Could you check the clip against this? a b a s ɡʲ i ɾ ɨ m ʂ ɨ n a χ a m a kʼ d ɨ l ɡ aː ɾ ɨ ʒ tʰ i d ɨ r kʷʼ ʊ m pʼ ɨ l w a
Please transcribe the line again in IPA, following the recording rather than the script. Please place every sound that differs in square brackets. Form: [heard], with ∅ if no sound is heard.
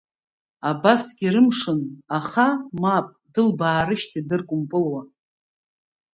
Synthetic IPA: a b a s ɡʲ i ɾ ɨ m ʂ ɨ n a χ a m a [pʼ] d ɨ l [b] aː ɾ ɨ [ʃ] tʰ i d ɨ r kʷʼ ʊ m pʼ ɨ l w a